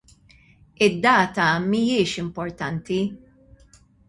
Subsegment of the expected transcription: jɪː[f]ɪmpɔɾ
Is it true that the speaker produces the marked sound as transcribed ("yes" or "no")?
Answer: no